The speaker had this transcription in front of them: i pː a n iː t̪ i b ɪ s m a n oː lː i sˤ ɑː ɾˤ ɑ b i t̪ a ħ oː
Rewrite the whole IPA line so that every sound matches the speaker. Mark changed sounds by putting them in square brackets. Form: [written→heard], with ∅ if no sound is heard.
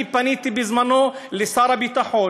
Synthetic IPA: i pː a n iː t̪ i b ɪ [s→z] m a n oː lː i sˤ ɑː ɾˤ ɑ b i t̪ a ħ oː